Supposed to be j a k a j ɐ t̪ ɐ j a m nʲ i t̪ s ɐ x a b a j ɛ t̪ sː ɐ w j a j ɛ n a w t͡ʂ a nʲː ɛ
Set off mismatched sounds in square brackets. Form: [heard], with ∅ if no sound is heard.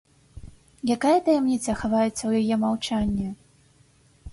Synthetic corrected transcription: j a k a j ɐ t̪ ɐ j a m nʲ i t̪ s ɐ x a [v] a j ɛ t̪ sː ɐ w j a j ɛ [m] a w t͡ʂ a nʲː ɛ